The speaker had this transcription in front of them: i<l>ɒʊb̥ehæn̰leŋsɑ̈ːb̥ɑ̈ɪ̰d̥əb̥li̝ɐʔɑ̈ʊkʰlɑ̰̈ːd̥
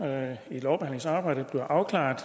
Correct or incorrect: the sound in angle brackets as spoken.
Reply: correct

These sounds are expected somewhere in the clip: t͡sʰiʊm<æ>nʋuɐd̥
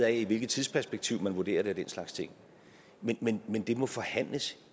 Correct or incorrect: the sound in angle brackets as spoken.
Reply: correct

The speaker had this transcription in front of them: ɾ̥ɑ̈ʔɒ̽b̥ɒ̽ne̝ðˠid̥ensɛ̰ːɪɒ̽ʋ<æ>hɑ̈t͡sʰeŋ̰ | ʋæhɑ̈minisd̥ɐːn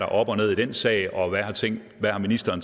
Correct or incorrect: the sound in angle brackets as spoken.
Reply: correct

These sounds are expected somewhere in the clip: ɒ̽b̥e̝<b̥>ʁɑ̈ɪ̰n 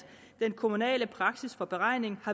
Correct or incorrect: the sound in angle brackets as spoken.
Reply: incorrect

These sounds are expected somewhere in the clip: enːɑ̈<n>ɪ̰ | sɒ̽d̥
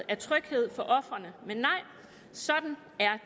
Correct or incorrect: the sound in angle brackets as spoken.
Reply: incorrect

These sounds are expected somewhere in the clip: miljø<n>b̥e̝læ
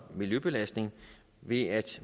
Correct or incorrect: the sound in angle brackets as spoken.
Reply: incorrect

